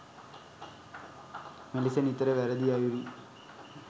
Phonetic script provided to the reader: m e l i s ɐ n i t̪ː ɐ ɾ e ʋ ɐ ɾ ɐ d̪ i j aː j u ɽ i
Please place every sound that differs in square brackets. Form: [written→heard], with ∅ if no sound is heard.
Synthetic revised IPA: m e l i s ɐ n i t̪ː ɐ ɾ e ʋ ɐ ɾ ɐ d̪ i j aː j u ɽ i